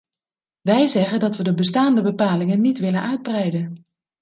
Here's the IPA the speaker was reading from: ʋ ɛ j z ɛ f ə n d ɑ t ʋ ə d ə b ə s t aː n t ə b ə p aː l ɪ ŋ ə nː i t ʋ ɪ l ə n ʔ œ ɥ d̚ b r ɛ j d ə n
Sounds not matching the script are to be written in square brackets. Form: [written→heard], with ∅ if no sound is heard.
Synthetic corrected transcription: ʋ ɛ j z ɛ [f→χ] ə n d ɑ t ʋ ə d ə b ə s t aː n [t→d] ə b ə p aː l ɪ ŋ ə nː i t ʋ ɪ l ə n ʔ œ ɥ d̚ b r ɛ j d ə n